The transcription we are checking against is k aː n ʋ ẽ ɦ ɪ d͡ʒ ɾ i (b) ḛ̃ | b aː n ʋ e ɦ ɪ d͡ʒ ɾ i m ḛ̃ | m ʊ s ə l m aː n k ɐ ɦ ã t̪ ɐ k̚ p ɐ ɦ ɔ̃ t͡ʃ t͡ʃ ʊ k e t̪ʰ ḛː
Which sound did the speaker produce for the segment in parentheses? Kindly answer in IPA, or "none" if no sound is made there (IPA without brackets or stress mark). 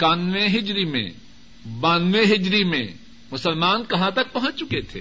m